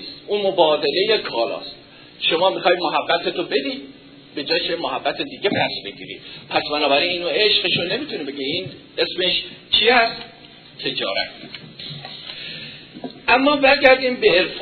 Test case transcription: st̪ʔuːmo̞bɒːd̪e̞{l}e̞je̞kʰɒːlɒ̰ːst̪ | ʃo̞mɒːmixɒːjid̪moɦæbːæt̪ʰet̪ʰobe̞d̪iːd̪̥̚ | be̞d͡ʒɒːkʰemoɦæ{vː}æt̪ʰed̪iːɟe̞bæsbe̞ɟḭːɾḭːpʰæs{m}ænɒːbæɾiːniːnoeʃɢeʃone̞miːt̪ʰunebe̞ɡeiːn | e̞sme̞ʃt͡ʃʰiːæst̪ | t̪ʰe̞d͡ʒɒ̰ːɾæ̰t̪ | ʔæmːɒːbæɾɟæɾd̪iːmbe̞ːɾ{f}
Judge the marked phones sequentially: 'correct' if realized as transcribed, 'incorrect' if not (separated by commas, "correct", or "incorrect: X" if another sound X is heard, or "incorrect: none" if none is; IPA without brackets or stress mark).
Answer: correct, incorrect: bː, incorrect: b, correct